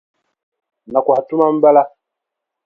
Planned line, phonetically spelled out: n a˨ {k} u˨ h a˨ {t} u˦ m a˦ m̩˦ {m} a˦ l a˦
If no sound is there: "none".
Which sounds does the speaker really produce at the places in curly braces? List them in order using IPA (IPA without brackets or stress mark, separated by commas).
k, t, b